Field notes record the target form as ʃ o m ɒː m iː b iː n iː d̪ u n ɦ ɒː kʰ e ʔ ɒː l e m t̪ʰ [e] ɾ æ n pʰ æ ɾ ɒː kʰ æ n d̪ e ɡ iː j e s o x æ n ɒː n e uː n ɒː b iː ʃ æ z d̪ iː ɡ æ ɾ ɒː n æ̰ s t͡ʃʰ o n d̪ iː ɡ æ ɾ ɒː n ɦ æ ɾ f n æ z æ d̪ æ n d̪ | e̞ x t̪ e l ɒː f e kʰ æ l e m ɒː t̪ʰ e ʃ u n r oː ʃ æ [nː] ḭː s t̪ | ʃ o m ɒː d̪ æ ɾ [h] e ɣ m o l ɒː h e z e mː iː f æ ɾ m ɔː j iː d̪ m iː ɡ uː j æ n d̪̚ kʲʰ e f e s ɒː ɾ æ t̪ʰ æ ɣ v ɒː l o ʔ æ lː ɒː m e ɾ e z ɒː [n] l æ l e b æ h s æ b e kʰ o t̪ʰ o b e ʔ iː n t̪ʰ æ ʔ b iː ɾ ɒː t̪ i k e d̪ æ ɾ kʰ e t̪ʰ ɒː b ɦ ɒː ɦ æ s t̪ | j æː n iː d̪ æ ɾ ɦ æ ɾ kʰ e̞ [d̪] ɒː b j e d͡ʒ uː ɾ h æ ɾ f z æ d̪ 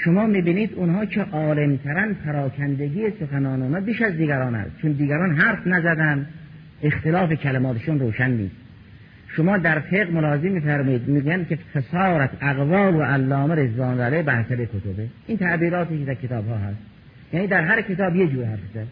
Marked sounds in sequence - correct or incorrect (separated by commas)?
incorrect, correct, incorrect, correct, incorrect